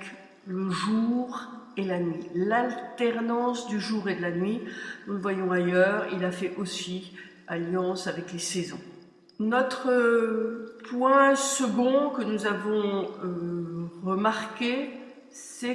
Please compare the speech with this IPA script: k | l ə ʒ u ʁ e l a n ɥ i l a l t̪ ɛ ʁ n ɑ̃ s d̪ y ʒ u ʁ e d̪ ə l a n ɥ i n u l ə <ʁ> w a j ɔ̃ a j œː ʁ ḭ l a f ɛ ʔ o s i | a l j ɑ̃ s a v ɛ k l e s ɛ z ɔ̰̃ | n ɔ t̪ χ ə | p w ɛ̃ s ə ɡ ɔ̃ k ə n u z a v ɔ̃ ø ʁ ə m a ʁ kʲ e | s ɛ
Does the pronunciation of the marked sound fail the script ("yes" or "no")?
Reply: yes